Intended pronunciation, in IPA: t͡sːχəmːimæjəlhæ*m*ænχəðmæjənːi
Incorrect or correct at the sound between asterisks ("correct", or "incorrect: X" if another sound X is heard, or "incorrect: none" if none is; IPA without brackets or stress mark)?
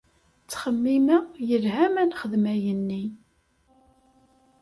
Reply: correct